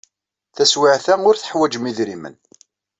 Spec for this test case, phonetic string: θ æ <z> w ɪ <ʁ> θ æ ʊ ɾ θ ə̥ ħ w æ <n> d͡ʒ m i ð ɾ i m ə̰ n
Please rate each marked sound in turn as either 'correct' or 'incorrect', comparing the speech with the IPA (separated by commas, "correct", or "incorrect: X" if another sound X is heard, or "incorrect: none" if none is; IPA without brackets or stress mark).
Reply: incorrect: s, incorrect: ʕ, incorrect: none